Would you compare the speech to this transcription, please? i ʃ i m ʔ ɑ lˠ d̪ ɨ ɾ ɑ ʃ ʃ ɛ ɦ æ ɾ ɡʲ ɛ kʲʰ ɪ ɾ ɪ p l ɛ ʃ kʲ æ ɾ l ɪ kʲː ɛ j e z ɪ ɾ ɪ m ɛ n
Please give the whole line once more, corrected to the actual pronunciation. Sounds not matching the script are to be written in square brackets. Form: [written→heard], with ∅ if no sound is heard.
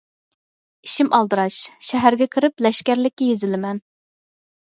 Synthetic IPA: i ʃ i m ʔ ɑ lˠ d̪ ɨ ɾ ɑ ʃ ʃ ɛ ɦ æ ɾ ɡʲ ɛ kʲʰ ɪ ɾ ɪ p l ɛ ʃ kʲ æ ɾ l ɪ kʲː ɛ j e z ɪ [ɾ→l] ɪ m ɛ n